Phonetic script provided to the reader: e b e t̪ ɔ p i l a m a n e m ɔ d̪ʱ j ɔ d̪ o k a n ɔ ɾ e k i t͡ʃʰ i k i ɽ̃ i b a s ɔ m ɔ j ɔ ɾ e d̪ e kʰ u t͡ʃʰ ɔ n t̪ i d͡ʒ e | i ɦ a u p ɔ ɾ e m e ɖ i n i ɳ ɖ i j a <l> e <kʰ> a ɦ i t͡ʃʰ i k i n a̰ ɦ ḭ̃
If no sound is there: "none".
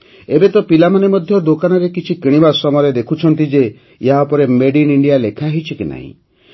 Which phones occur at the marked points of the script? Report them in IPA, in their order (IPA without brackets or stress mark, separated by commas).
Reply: l, kʰ